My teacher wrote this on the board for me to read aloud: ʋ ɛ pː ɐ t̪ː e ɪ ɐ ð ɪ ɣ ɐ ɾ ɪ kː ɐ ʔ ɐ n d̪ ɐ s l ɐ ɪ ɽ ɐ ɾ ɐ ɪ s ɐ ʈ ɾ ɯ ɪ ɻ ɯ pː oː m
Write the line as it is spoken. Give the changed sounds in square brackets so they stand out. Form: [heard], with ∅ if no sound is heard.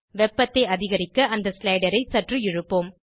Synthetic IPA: ʋ ɛ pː ɐ t̪ː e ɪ ɐ ð ɪ ɣ ɐ ɾ ɪ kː ɐ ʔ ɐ n d̪ ɐ s l ɐ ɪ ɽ ɐ ɾ ɐ ɪ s ɐ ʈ [r] ɯ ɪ ɻ ɯ pː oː m